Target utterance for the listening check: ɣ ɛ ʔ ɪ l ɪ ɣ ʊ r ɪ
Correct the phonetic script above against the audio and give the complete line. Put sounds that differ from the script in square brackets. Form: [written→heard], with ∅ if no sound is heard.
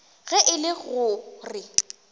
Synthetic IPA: ɣ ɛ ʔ ɪ l ɪ ɣ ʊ r ɪ